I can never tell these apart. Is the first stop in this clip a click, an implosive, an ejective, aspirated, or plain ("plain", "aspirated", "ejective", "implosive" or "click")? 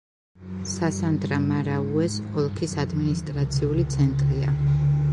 plain